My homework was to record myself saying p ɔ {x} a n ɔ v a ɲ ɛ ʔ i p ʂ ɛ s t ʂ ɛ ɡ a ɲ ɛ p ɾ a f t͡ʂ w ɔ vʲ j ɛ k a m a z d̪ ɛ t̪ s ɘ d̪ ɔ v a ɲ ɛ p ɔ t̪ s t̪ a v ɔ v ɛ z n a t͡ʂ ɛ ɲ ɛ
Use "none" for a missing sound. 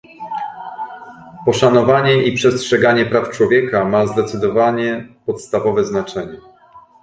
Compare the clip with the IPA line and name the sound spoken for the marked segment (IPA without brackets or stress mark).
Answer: ʂ